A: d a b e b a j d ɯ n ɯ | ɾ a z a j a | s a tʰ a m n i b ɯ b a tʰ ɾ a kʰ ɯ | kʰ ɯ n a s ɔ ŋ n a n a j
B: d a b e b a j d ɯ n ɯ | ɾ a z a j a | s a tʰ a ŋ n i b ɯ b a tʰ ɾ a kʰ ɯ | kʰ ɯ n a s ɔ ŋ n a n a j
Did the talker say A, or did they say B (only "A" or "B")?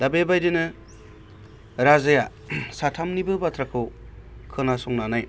A